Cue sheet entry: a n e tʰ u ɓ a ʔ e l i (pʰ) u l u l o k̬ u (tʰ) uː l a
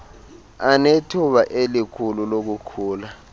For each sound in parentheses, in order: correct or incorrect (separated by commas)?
incorrect, incorrect